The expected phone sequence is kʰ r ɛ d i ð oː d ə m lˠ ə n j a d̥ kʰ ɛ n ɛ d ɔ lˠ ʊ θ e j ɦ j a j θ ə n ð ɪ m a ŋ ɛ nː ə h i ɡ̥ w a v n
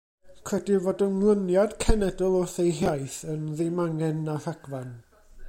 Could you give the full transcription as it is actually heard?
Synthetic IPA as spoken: kʰ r ɛ d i v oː d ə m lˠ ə n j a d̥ kʰ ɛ n ɛ d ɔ lˠ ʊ θ e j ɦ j a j θ ə n ð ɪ m a ŋ ɛ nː a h a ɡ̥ v a n